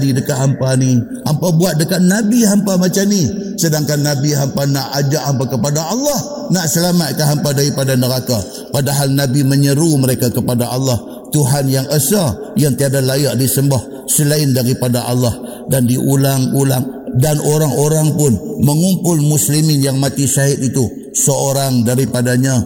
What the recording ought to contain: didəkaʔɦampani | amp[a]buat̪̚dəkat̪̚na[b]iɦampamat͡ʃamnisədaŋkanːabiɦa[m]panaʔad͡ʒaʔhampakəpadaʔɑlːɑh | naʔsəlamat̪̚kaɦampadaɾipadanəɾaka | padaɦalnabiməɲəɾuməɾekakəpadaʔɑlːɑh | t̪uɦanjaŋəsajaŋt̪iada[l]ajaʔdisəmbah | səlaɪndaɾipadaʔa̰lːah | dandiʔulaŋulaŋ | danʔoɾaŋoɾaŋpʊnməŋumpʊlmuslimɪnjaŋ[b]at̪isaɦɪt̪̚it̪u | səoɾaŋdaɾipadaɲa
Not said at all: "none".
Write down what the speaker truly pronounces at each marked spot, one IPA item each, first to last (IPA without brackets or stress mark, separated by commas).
a, b, m, l, m